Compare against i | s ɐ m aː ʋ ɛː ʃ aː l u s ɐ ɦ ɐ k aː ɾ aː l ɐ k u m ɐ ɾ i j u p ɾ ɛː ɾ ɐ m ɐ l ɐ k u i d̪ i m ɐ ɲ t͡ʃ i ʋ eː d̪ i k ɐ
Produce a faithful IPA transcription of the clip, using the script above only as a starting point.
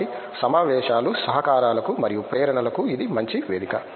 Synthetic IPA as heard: i | s ɐ m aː ʋ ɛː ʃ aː l u s ɐ ɦ ɐ k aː ɾ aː l ɐ k u m ɐ ɾ i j u p ɾ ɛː ɾ ɐ ɳ ɐ l ɐ k u i d̪ i m ɐ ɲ t͡ʃ i ʋ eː d̪ i k ɐ